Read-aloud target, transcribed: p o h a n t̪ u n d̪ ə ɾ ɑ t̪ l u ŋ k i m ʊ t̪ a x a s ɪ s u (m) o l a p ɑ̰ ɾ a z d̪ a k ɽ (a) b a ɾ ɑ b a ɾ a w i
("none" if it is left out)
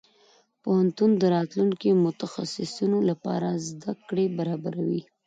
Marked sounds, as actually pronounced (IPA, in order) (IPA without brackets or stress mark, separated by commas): n, e